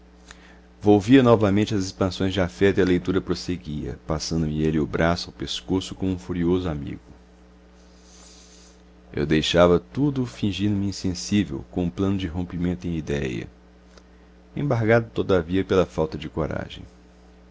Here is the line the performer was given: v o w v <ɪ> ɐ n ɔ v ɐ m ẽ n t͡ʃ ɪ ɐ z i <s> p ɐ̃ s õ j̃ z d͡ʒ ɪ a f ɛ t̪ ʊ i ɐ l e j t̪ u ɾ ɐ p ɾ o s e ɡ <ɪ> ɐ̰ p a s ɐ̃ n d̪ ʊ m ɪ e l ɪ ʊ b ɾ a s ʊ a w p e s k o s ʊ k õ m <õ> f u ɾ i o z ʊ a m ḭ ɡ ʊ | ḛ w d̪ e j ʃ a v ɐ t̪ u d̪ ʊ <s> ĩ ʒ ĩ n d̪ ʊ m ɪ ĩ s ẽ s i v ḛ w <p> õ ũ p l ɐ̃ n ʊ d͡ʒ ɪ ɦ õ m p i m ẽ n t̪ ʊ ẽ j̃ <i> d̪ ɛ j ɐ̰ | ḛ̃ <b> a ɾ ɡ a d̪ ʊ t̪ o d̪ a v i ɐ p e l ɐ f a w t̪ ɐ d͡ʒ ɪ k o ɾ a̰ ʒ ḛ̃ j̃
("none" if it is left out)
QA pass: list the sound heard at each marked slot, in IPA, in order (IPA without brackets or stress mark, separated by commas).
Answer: i, s, i, ũ, f, k, i, b